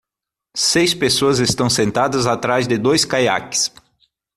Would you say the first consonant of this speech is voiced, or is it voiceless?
voiceless